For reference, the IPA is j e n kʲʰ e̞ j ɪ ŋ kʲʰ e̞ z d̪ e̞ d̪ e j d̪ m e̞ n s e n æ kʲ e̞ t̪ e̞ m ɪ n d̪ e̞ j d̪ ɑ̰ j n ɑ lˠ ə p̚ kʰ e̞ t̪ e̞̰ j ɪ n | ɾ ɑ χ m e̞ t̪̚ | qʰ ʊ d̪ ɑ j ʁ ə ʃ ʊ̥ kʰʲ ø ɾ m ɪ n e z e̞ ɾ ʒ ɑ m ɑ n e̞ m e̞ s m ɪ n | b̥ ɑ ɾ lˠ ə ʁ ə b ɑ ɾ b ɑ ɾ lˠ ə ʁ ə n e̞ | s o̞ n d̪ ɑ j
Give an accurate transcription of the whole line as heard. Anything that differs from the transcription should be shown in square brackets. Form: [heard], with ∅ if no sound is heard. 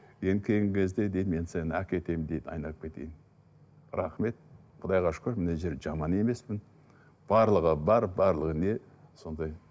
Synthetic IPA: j e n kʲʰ e̞ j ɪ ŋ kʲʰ e̞ z d̪ e̞ d̪ e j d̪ m e̞ n s e n æ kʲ e̞ t̪ e̞ m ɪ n d̪ e̞ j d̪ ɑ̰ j n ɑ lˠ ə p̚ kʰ e̞ t̪ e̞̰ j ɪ n | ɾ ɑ χ m e̞ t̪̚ | qʰ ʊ d̪ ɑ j ʁ [ɑ] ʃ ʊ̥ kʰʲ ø ɾ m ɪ n e [ʒ] e̞ ɾ ʒ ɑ m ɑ n e̞ m e̞ s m ɪ n | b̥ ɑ ɾ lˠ ə ʁ ə b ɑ ɾ b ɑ ɾ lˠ ə ʁ ə n e̞ | s o̞ n d̪ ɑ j

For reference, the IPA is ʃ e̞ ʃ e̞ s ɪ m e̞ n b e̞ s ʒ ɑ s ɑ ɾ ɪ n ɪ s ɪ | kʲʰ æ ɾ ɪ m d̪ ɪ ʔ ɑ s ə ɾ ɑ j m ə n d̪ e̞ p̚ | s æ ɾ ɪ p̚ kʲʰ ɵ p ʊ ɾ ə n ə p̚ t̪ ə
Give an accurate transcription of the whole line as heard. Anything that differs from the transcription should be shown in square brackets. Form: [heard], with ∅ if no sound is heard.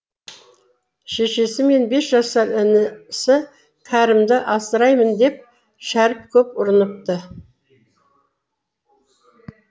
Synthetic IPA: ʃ e̞ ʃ e̞ s ɪ m e̞ n b e̞ s ʒ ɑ s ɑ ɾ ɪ n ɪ s ɪ | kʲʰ æ ɾ ɪ m d̪ ɪ ʔ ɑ s ə ɾ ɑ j m ə n d̪ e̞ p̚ | [ʃ] æ ɾ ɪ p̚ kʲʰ ɵ p ʊ ɾ ə n ə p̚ t̪ ə

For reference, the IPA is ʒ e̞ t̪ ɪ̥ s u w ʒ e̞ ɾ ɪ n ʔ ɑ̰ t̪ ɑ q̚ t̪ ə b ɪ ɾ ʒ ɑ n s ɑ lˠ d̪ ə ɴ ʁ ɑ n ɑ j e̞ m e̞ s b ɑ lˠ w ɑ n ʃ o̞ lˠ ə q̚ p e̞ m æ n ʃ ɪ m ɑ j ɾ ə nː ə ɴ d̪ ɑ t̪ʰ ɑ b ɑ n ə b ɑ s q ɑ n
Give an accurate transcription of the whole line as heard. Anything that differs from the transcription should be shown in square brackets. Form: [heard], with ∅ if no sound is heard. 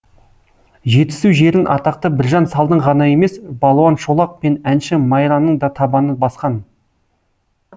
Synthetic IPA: ʒ e̞ t̪ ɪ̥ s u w ʒ e̞ ɾ ɪ n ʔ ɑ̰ t̪ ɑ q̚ t̪ ə b ɪ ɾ ʒ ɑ n s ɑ lˠ d̪ ə ɴ ʁ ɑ n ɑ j e̞ m e̞ s b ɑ lˠ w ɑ n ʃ o̞ lˠ [ɑ] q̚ p e̞ [n] æ n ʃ ɪ m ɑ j ɾ [ɑ] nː ə ɴ d̪ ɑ t̪ʰ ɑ b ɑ n ə b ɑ s q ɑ n

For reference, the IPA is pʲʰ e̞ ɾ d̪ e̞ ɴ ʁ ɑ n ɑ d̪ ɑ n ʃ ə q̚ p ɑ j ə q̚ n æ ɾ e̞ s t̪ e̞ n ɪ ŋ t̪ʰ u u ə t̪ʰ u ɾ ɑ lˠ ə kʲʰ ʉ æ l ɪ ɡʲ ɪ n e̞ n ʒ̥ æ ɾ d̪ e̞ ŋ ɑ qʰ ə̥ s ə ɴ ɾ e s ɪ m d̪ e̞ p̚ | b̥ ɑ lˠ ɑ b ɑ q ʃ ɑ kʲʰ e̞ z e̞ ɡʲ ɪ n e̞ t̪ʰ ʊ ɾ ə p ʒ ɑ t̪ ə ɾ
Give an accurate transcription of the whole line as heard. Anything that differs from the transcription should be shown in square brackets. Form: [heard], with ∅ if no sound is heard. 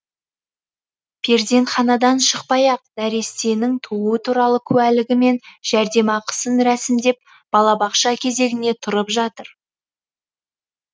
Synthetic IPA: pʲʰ e̞ ɾ d̪ e̞ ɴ [χ] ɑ n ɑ d̪ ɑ n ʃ ə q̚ p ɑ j [ɑ] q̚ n æ ɾ e̞ s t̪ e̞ n ɪ ŋ t̪ʰ u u ə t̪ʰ u ɾ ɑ lˠ ə kʲʰ ʉ æ l ɪ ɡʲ ɪ [m] e̞ n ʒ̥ æ ɾ d̪ e̞ [m] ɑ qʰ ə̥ s ə [n] ɾ [æ] s ɪ m d̪ e̞ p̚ | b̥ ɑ lˠ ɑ b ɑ q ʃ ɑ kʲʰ e̞ z e̞ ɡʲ ɪ n e̞ t̪ʰ ʊ ɾ ə p ʒ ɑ t̪ ə ɾ

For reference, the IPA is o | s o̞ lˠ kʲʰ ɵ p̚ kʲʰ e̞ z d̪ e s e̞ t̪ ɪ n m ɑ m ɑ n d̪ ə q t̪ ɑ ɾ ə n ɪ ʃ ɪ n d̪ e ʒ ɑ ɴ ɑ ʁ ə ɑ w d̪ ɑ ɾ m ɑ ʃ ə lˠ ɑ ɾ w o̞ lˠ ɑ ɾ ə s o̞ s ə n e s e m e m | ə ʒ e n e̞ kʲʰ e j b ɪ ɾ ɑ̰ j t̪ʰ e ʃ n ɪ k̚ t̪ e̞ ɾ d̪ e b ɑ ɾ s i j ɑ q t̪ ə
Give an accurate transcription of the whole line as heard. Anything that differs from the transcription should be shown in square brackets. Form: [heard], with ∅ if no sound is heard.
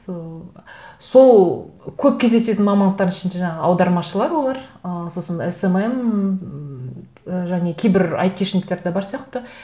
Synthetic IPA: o | s o̞ lˠ kʲʰ ɵ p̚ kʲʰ e̞ z d̪ e s e̞ t̪ ɪ n m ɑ m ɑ n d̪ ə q t̪ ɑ ɾ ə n ɪ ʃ ɪ n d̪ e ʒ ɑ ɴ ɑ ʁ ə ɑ w d̪ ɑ ɾ m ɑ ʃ ə lˠ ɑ ɾ w o̞ lˠ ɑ ɾ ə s o̞ s ə n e s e m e m | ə ʒ [æ] n e̞ kʲʰ e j b ɪ ɾ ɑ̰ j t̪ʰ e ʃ n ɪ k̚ t̪ e̞ ɾ d̪ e b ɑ ɾ s i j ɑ q t̪ ə

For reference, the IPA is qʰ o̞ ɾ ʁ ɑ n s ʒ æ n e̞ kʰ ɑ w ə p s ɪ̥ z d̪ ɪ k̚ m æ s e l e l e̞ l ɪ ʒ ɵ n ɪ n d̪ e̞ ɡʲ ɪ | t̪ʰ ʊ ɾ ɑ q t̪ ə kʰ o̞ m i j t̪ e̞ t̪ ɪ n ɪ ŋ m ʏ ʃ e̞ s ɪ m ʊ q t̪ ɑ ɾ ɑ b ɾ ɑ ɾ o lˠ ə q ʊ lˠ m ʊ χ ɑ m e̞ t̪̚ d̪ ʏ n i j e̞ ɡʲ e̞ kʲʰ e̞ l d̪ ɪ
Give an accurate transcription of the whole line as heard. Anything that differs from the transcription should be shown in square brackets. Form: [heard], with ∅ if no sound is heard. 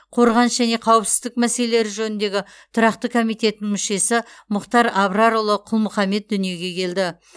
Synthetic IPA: qʰ o̞ ɾ ʁ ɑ n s ʒ æ n e̞ [qʰ] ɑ w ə p s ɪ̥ z d̪ ɪ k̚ m æ s e l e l e̞ [ɾ] ɪ ʒ ɵ n ɪ n d̪ e̞ ɡʲ ɪ | t̪ʰ ʊ ɾ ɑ q t̪ ə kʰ o̞ m i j t̪ e̞ t̪ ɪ n ɪ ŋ m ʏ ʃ e̞ s ɪ m ʊ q t̪ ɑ ɾ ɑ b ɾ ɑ ɾ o lˠ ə [qʰ] ʊ lˠ m ʊ χ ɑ m e̞ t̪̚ d̪ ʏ n i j e̞ ɡʲ e̞ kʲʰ e̞ l d̪ ɪ

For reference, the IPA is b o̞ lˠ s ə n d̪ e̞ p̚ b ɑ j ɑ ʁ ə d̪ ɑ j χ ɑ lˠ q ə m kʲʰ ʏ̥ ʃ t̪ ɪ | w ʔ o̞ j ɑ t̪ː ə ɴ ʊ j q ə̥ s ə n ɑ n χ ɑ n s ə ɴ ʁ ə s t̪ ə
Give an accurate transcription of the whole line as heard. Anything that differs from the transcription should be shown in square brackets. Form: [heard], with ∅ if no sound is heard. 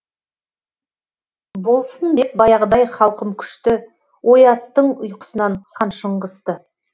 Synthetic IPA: b o̞ lˠ s ə n d̪ e̞ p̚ b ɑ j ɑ ʁ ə d̪ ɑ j χ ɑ lˠ q ə m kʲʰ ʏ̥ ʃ t̪ ɪ | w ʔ o̞ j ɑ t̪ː ə ɴ ʊ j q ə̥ s ə n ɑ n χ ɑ n [ʃ] ə ɴ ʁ ə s t̪ ə

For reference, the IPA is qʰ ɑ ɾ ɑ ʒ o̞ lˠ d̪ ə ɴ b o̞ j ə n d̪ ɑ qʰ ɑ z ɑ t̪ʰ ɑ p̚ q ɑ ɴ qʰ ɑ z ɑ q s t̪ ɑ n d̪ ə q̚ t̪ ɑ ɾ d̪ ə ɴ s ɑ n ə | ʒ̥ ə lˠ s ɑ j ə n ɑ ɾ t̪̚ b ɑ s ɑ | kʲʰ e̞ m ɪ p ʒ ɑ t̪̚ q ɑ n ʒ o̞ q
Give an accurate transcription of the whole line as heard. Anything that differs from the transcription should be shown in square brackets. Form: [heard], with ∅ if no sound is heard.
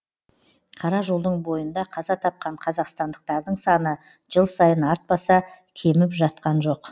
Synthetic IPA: qʰ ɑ ɾ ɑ ʒ o̞ lˠ d̪ ə ɴ b o̞ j ə n d̪ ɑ qʰ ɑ z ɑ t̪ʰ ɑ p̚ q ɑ ɴ qʰ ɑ z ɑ q s t̪ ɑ n d̪ ə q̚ t̪ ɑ ɾ d̪ ə ɴ s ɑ n ə | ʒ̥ ə lˠ s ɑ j ə n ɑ ɾ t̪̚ b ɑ s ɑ | kʲʰ e̞ m ɪ p ʒ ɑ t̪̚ q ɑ n ʒ o̞ q

